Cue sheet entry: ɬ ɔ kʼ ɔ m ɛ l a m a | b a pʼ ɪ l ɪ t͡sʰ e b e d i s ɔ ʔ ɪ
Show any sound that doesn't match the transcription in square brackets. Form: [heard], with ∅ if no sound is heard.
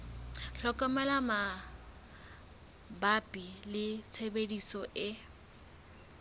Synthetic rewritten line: ɬ ɔ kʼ ɔ m ɛ l a m a | b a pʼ [i] l ɪ t͡sʰ e b e d i s ɔ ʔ ɪ